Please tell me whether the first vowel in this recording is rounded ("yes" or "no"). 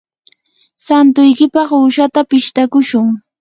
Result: no